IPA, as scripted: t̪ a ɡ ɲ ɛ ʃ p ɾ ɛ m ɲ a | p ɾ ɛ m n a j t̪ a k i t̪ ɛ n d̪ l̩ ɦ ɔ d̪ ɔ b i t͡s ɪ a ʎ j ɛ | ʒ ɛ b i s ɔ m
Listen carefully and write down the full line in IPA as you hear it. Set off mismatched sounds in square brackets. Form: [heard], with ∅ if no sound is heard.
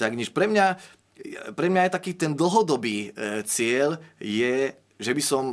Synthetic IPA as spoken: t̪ a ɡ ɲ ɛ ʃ p ɾ ɛ m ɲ a | p ɾ ɛ m [ɲ] a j t̪ a k [iː] t̪ ɛ n d̪ l̩ ɦ ɔ d̪ ɔ b [iː] t͡s ɪ [ɛ] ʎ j ɛ | ʒ ɛ b i s ɔ m